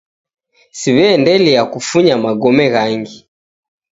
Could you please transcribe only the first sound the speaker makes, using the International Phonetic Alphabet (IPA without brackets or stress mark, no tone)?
s